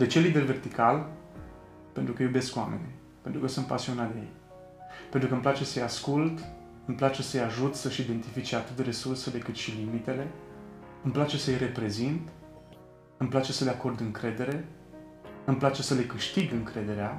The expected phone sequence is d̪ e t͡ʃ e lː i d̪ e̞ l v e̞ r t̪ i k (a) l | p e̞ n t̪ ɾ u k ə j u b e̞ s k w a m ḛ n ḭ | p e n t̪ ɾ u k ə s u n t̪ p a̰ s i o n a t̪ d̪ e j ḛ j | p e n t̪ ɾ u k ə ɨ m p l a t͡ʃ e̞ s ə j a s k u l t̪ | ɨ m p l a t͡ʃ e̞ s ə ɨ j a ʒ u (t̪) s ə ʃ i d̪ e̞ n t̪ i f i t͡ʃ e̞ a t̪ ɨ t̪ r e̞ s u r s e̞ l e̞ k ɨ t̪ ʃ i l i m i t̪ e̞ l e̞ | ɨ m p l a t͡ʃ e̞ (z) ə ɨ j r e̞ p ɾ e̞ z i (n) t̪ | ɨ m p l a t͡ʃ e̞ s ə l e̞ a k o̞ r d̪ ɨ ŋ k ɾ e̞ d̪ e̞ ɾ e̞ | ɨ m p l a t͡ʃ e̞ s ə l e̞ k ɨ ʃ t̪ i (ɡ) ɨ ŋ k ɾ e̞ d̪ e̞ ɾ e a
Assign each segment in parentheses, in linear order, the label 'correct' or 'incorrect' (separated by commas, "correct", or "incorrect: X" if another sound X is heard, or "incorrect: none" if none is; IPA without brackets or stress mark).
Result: correct, correct, incorrect: s, correct, correct